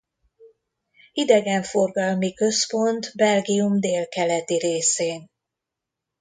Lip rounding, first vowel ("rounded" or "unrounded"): unrounded